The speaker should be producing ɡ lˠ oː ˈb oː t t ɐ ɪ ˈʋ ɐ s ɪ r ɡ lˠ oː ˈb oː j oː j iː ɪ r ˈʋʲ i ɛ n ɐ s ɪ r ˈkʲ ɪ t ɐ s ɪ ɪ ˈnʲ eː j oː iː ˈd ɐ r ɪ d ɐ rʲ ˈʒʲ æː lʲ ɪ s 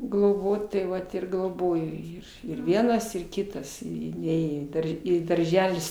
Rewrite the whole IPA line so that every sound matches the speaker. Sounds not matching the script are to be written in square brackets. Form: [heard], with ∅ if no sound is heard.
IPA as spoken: ɡ lˠ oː ˈb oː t t ɐ ɪ ˈʋ ɐ [t] ɪ r ɡ lˠ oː ˈb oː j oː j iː ɪ r ˈʋʲ i ɛ n ɐ s ɪ r ˈkʲ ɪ t ɐ s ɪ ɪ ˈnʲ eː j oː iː ˈd ɐ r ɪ d ɐ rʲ ˈʒʲ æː lʲ ɪ s